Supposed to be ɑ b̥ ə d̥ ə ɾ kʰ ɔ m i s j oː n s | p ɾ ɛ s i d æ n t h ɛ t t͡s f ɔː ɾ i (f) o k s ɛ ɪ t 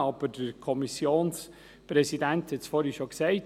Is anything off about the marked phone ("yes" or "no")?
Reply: yes